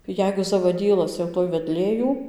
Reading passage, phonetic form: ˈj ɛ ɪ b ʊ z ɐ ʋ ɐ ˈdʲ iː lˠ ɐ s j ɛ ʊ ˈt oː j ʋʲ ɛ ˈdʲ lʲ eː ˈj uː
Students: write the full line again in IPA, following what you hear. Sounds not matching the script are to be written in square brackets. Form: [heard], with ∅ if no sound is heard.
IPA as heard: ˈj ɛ ɪ [ɡ] ʊ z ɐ ʋ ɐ ˈdʲ iː lˠ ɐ s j ɛ ʊ ˈt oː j ʋʲ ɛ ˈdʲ lʲ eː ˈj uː